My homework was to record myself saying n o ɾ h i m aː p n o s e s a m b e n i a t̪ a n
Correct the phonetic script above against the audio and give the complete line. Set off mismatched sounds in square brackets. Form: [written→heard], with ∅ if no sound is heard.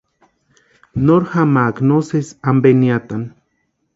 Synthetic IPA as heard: n o ɾ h [i→a] m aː [p→k] n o s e s a m b e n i a t̪ a n